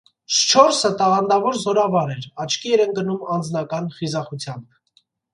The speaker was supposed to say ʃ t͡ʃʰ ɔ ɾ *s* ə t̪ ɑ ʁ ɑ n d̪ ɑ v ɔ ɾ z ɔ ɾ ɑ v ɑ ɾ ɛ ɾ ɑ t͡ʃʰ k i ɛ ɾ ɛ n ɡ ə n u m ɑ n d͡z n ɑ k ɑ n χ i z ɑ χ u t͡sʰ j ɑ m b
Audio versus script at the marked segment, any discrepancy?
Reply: no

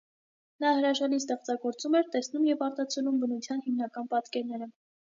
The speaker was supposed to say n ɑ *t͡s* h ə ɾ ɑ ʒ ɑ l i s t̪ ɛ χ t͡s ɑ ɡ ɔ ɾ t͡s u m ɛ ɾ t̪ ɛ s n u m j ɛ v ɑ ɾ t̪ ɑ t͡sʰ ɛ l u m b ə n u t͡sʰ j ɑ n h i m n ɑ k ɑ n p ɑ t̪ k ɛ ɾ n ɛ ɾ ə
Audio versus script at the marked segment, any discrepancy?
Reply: yes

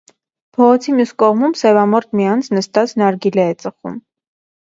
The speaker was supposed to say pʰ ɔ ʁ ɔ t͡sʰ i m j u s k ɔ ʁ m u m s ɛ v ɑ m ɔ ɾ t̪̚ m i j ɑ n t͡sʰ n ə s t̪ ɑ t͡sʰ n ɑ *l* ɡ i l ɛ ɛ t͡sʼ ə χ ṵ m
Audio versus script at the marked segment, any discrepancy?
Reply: yes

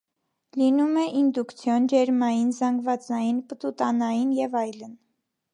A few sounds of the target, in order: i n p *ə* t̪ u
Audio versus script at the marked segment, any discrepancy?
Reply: no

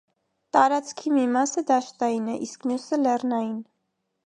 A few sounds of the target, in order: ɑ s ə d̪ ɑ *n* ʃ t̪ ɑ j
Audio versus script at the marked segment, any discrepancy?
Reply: yes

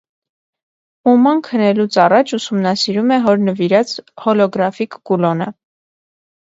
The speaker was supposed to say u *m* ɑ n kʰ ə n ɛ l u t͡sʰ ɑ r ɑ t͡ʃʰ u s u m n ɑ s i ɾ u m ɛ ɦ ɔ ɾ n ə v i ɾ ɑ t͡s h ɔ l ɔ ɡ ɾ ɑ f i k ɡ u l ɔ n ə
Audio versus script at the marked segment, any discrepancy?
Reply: no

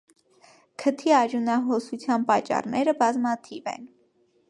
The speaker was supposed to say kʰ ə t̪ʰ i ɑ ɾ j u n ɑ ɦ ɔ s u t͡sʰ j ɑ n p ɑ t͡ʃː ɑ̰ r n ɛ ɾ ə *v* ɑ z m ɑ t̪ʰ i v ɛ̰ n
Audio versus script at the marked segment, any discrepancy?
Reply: yes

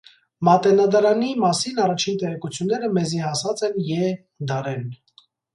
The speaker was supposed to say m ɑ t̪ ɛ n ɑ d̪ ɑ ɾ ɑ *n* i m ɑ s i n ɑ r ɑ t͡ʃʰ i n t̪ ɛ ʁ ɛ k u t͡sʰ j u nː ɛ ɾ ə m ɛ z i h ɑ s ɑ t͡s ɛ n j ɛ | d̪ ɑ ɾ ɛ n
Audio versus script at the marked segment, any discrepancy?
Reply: no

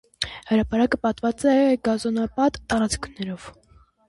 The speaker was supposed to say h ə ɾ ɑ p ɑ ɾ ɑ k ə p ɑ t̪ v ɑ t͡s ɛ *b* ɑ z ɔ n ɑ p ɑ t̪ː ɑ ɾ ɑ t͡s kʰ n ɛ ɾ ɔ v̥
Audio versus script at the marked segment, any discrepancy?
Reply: yes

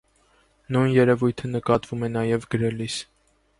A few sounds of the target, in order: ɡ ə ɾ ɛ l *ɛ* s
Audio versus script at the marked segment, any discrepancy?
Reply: yes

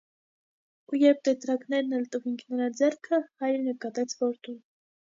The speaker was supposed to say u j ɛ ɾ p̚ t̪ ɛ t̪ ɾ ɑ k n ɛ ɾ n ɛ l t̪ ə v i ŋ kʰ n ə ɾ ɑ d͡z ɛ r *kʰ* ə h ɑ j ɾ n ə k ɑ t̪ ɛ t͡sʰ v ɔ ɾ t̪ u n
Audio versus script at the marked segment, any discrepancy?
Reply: no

